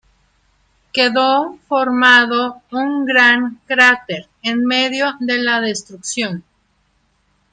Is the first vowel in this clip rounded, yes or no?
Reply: no